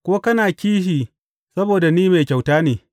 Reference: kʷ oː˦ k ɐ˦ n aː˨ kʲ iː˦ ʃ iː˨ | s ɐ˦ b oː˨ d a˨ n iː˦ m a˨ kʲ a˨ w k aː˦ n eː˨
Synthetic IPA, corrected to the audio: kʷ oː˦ k ɐ˦ n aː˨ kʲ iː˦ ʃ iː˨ | s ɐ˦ b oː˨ d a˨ n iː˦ m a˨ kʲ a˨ w t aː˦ n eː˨